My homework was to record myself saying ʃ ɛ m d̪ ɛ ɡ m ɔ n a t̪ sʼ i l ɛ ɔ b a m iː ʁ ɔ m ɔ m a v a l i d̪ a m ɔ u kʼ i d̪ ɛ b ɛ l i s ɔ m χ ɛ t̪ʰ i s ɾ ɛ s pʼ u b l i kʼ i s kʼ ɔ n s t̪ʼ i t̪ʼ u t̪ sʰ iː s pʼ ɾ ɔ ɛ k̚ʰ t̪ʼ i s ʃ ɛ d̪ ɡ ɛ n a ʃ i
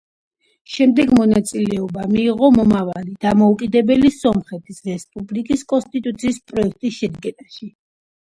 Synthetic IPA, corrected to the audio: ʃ ɛ m d̪ ɛ ɡ m ɔ n a t̪ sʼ i l ɛ ɔ b a m iː ʁ ɔ m ɔ m a v a l i d̪ a m ɔ u kʼ i d̪ ɛ b ɛ l i s ɔ m χ ɛ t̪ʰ i s ɾ ɛ s pʼ u b l i kʼ i s kʼ ɔ n s t̪ʼ i t̪ʼ u t̪ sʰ iː s pʼ ɾ ɔ ɛ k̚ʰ t̪ʼ i s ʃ ɛ d̪ ɡ ɛ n a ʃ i